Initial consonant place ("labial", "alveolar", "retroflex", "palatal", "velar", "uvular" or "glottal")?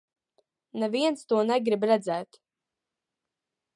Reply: alveolar